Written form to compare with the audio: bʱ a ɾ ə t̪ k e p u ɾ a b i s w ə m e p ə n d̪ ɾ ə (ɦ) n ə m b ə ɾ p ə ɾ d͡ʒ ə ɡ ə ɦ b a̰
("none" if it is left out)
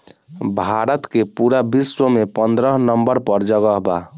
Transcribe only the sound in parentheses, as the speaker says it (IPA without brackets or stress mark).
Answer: ɦ